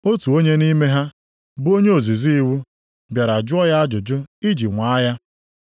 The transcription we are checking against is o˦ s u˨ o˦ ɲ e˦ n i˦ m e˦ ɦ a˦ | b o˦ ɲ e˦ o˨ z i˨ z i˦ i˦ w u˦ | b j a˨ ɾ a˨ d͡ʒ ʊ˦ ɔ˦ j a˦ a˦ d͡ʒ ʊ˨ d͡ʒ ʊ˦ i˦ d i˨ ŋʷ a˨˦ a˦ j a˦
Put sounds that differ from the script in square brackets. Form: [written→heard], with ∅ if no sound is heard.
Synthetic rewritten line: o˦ [s→t] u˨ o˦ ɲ e˦ n i˦ m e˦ ɦ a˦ | b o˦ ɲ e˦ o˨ z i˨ z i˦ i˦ w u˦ | b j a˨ ɾ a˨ d͡ʒ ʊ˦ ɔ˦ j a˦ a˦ d͡ʒ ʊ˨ d͡ʒ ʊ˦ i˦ [d→d͡ʒ] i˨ ŋʷ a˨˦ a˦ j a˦